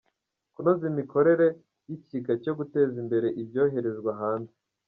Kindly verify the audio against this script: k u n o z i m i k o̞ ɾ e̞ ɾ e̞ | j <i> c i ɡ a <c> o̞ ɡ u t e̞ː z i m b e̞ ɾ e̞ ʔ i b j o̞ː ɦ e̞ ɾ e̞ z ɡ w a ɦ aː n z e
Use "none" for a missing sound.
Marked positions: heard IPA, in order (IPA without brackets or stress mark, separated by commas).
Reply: i, c